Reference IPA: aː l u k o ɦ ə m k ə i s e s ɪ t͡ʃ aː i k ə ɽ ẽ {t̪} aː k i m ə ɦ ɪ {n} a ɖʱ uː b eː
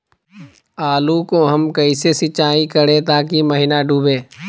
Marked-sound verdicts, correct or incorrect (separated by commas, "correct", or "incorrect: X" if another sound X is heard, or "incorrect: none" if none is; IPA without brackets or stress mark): correct, correct